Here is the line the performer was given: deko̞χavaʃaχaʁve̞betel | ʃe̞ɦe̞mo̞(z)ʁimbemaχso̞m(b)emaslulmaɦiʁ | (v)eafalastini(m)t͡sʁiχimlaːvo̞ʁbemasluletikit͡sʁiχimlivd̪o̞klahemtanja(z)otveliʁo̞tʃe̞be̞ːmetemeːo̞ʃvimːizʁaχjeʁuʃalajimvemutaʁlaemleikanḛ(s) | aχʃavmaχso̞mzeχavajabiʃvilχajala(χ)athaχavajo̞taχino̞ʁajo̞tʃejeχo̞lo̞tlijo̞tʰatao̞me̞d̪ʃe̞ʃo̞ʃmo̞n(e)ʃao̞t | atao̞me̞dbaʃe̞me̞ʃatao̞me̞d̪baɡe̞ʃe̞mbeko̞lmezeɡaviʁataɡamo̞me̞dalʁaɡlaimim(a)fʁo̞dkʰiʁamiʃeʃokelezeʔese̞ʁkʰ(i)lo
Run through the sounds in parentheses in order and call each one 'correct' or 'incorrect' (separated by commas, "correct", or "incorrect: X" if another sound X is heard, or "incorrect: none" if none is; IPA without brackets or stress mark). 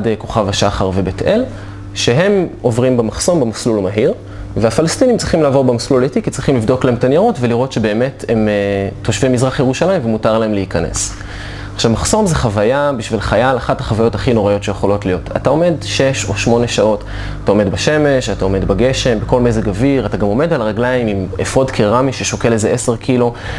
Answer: incorrect: v, correct, correct, correct, incorrect: ʁ, correct, correct, correct, incorrect: e, correct